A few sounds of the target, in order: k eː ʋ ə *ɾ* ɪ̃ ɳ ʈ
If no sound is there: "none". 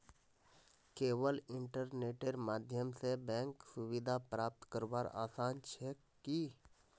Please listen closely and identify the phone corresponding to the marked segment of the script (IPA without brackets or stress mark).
l